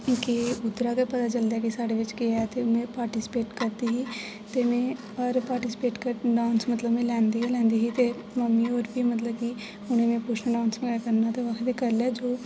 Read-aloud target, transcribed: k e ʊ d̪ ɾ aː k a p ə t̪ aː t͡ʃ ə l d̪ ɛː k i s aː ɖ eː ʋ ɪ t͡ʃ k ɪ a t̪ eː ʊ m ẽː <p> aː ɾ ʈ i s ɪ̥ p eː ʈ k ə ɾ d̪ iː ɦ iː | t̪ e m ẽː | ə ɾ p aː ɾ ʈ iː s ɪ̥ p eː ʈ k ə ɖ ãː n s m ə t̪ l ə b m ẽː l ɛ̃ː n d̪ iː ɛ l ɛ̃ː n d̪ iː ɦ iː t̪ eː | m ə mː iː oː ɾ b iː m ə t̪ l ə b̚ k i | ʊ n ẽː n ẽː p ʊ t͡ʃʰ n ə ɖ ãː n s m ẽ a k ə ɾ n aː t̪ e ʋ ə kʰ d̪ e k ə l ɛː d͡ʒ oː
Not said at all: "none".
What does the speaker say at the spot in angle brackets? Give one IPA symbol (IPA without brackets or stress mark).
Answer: p